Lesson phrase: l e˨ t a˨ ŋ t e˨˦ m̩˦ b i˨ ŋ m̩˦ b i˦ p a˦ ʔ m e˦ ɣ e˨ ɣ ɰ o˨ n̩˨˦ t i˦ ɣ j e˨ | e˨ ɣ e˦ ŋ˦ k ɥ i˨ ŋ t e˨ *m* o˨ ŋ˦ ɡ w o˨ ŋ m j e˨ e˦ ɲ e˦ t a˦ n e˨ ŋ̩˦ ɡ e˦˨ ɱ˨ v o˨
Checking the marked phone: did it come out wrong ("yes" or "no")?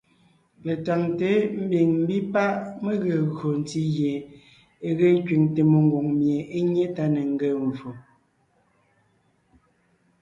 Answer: no